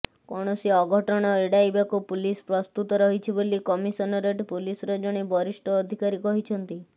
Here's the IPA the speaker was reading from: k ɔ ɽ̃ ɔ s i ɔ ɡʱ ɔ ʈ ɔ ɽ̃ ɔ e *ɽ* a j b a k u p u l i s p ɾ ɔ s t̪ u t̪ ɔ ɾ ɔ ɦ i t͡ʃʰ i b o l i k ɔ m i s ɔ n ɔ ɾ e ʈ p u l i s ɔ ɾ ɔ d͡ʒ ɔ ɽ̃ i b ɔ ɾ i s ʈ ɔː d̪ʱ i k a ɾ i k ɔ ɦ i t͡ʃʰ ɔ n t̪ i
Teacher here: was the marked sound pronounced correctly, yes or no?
yes